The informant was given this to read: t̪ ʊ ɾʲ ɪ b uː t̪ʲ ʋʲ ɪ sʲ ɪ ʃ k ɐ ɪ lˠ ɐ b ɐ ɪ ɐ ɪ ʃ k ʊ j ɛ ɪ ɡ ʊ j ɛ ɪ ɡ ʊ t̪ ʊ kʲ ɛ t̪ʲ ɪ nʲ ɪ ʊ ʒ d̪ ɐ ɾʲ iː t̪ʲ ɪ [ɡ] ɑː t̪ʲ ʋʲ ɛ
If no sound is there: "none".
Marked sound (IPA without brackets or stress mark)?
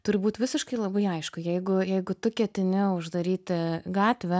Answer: ɡ